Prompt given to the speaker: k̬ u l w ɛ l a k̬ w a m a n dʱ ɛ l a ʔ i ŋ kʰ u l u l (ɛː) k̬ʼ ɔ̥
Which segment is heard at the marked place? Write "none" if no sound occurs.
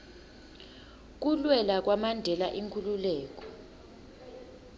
ɛː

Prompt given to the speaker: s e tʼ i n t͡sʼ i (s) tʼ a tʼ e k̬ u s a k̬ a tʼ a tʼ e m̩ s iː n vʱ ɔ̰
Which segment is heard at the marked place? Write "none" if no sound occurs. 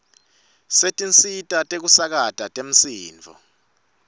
none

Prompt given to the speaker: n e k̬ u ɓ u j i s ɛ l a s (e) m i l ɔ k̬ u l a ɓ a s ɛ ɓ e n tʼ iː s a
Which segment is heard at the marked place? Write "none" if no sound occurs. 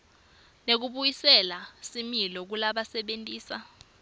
i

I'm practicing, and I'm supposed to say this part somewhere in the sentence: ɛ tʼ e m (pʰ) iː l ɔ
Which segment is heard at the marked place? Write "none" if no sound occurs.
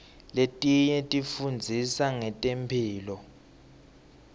pʰ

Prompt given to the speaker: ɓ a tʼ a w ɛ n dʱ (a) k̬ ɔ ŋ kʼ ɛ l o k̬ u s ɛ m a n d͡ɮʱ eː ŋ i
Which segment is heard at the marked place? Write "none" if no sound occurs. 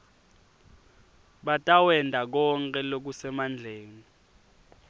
a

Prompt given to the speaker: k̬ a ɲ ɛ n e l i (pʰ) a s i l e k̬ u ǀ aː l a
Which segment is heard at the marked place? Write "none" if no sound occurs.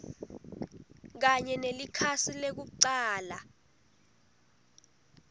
kʰ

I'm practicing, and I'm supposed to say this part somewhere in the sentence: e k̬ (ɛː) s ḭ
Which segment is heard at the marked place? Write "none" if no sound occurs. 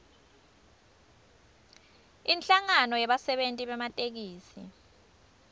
iː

